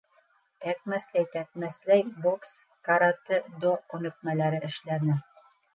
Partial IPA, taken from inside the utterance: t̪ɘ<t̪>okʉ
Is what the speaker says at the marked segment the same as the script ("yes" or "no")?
no